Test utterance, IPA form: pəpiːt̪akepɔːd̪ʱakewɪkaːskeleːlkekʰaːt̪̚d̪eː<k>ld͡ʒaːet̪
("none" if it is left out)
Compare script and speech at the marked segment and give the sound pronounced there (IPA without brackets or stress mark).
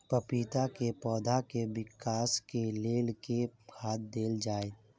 none